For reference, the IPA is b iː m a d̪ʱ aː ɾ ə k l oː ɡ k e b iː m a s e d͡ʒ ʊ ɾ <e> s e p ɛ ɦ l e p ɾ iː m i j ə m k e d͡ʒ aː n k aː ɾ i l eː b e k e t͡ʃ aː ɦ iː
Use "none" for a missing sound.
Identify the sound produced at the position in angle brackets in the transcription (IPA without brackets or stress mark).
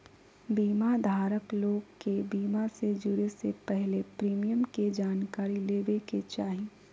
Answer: e